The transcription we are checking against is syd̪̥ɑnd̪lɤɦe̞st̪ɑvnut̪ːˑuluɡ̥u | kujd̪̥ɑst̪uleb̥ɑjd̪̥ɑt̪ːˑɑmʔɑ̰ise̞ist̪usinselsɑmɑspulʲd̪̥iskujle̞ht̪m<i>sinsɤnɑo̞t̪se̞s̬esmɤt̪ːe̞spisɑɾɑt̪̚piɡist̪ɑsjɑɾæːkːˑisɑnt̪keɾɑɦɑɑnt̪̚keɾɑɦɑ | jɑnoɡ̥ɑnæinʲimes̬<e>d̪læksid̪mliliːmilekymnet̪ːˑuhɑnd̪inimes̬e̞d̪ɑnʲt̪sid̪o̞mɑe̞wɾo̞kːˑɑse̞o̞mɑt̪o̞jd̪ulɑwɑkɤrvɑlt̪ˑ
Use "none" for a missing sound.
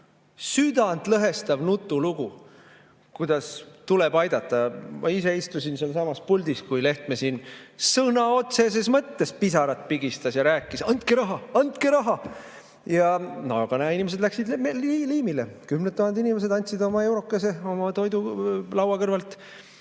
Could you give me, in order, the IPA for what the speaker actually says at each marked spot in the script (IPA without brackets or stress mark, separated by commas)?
e, e